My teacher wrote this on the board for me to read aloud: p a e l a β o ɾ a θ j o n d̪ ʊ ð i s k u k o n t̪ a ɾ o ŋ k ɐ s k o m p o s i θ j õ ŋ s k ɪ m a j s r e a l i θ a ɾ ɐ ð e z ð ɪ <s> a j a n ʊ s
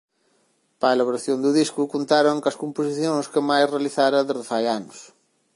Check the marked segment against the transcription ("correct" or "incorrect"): incorrect